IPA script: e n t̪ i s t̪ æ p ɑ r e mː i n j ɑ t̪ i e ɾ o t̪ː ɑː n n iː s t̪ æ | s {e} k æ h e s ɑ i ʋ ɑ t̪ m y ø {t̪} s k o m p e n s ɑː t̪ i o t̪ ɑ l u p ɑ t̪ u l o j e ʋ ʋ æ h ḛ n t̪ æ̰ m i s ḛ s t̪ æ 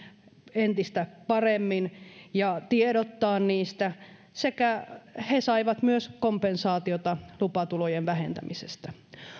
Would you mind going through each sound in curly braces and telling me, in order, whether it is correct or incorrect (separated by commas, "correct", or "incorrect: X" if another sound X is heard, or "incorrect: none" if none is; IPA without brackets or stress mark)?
correct, incorrect: none